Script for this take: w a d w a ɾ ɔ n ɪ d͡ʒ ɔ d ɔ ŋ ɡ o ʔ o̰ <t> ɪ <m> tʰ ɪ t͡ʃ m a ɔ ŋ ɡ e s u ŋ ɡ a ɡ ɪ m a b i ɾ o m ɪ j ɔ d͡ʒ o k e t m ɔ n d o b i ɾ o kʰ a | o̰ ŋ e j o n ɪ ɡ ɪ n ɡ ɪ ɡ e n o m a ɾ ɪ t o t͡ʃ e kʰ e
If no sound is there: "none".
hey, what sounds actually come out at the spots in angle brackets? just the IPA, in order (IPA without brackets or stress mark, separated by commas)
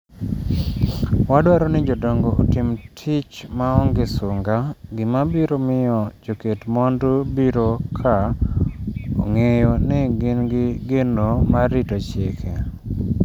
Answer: t, m